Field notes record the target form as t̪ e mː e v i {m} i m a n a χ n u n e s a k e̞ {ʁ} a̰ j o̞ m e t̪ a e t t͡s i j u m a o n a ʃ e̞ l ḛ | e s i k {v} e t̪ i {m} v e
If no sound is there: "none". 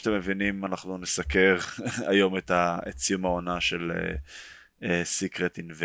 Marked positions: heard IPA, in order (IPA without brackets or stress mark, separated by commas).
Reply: n, ʁ, ʁ, n